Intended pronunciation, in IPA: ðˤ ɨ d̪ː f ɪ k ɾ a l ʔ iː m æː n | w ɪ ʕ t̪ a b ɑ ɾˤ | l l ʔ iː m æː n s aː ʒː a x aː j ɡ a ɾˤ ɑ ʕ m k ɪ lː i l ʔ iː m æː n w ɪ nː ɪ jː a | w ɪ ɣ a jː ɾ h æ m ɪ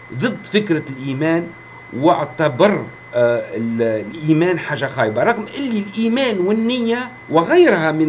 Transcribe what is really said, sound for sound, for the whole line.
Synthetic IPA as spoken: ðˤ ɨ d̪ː f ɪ k ɾ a l ʔ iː m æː n | w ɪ ʕ t̪ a b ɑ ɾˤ | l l ʔ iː m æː n ħ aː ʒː a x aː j b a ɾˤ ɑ ɣ m ʔ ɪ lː i l ʔ iː m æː n w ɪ nː ɪ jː a | w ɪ ɣ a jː ɾ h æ m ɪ